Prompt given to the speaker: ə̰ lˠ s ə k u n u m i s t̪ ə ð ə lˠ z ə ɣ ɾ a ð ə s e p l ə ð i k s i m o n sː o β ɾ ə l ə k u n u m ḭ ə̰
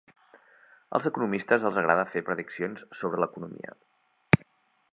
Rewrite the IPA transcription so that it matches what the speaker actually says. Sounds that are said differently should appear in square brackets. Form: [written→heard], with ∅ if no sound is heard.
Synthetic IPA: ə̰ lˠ [s→z] ə k u n u m i s t̪ ə [ð→z] ə lˠ z ə ɣ ɾ a ð ə [s→f] e p [l→ɾ] ə ð i k s i [m→∅] o n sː o β ɾ ə l ə k u n u m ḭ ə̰